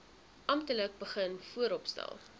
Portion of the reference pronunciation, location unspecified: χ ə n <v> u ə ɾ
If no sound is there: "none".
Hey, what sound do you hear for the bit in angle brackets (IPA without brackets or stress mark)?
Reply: f